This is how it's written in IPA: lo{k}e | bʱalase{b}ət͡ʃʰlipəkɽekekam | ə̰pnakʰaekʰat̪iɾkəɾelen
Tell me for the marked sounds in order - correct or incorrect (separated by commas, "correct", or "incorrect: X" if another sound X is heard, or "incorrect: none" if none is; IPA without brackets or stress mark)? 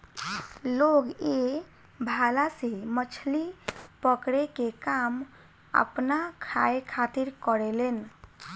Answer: incorrect: ɡ, incorrect: m